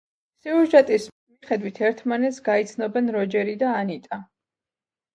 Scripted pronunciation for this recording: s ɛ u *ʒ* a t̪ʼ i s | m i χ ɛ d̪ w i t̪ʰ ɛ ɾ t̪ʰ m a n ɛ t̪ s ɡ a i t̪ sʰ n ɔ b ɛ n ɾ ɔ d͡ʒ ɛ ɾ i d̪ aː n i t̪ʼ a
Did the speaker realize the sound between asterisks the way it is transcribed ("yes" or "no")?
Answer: yes